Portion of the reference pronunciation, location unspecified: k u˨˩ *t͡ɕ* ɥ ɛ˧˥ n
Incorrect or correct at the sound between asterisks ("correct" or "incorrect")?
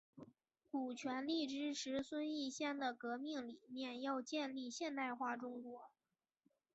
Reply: incorrect